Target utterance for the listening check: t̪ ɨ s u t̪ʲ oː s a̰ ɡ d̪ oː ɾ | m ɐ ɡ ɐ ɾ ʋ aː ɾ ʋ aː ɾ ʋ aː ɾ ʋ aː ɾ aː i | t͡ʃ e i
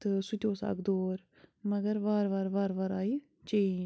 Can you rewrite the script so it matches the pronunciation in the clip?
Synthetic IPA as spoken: t̪ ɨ s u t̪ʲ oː s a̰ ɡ d̪ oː ɾ | m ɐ ɡ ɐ ɾ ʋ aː ɾ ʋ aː ɾ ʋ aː ɾ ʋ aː ɾ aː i | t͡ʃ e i